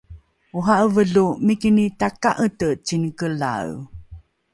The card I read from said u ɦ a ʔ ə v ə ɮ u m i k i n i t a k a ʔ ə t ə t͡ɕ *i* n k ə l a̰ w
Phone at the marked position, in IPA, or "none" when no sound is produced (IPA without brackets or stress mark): i